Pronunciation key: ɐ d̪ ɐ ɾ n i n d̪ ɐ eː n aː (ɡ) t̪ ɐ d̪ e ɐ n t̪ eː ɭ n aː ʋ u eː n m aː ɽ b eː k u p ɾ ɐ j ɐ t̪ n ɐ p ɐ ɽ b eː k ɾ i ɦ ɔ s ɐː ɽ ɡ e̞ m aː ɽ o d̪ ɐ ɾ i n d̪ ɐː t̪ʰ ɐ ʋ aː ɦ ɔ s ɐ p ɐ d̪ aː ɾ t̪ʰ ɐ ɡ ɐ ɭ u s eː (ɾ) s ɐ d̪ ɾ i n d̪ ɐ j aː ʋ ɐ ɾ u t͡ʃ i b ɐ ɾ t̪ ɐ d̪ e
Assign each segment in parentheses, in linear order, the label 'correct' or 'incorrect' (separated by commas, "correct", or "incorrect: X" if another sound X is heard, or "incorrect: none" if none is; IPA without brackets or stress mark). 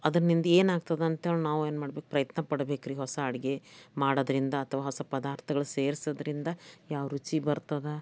correct, correct